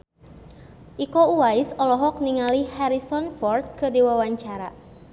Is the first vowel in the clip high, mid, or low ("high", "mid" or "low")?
high